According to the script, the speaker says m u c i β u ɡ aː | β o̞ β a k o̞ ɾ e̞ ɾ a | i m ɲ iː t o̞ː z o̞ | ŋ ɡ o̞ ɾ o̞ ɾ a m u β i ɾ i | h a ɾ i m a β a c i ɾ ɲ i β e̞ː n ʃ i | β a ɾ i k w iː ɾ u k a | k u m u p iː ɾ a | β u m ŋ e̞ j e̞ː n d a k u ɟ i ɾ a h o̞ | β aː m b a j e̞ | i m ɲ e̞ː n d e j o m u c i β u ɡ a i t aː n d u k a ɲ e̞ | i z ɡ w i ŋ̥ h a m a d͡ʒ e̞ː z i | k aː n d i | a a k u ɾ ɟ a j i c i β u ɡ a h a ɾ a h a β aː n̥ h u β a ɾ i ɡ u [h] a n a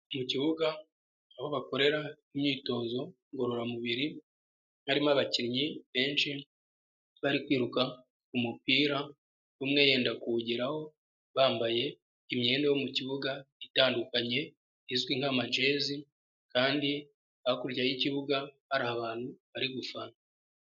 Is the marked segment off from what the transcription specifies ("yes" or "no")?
yes